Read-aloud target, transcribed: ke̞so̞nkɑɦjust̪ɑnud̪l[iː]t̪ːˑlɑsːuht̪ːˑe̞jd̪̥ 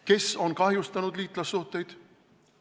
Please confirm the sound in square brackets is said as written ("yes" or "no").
yes